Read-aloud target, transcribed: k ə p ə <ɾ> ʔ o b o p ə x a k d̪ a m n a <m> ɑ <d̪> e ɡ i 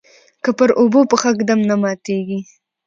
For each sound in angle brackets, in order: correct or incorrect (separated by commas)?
correct, correct, incorrect